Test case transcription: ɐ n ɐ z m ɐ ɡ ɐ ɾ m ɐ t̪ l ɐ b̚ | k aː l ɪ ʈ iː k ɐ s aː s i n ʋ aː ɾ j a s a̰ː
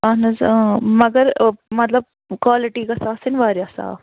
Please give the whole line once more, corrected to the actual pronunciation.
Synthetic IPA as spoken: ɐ n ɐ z m ɐ ɡ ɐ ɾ m ɐ t̪ l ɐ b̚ | k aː l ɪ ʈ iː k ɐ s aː s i n ʋ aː ɾ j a s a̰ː